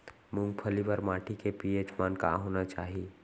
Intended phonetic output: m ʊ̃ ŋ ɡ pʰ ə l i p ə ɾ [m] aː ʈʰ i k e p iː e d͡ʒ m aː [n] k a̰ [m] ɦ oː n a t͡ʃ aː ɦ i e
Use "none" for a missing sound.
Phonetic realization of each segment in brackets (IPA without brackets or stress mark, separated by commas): m, n, none